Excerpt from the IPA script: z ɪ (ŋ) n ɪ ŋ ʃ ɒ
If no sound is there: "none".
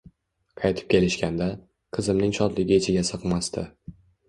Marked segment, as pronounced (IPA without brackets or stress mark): m